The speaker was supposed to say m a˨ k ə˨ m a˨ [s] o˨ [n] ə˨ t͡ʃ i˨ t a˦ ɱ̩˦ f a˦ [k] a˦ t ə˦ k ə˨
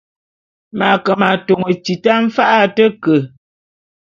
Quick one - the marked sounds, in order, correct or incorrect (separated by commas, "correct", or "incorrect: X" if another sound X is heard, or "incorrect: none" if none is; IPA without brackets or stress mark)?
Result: incorrect: t, incorrect: ŋ, incorrect: ʔ